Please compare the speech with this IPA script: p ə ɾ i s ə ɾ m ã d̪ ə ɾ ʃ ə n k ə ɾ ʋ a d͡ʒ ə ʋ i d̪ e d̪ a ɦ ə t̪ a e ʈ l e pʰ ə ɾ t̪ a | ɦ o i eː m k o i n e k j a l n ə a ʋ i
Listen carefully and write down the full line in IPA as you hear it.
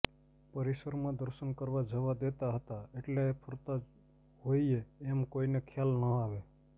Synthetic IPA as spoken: p ə ɾ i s ə ɾ m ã d̪ ə ɾ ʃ ə n k ə ɾ ʋ a d͡ʒ ə ʋ a d̪ e t̪ a ɦ ə t̪ a e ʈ l e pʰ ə ɾ t̪ a | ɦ o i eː m k o i n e kʰ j a l n ə a ʋ e